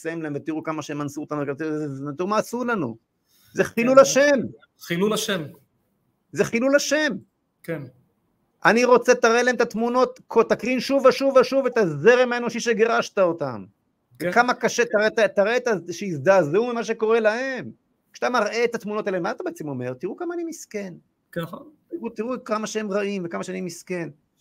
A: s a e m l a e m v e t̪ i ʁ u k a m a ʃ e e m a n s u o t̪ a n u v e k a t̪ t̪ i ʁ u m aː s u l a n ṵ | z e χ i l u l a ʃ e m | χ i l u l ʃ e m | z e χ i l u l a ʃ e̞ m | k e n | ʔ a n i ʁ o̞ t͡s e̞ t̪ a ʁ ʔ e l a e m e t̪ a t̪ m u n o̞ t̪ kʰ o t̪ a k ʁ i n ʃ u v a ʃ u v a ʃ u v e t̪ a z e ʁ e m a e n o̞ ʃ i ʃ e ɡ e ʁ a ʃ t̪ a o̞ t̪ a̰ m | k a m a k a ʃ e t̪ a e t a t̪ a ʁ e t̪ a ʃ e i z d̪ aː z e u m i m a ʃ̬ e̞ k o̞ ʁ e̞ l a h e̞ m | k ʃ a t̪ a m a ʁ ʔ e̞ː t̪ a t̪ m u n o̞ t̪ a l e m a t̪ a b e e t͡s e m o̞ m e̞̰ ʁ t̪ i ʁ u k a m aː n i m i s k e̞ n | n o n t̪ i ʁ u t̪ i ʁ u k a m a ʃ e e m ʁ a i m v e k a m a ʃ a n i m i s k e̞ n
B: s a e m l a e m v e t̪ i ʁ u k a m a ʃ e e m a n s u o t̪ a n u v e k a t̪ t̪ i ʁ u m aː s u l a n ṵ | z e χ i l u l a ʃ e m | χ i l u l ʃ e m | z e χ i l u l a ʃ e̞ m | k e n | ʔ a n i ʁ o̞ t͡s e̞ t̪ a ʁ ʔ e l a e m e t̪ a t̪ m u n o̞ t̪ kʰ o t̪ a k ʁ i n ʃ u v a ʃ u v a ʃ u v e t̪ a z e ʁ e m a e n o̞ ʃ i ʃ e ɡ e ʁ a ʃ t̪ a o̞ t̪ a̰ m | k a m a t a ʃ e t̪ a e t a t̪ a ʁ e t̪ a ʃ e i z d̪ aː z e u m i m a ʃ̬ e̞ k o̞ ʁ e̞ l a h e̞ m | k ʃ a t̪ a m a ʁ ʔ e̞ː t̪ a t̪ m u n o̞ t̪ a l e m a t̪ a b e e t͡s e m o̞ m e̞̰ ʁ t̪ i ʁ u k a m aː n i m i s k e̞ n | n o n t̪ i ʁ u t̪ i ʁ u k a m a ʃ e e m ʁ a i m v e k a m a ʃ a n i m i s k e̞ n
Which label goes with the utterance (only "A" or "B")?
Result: A